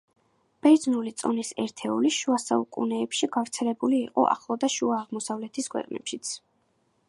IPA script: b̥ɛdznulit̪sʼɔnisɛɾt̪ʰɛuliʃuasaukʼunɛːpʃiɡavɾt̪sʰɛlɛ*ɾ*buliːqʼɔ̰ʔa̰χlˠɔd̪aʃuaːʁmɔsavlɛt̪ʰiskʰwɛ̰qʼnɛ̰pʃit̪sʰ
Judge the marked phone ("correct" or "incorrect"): incorrect